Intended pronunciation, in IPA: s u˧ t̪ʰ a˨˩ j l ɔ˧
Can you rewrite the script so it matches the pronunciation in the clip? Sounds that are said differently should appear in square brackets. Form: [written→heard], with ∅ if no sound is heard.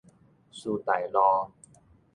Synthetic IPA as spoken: s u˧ [t̪ʰ→t̪] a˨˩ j l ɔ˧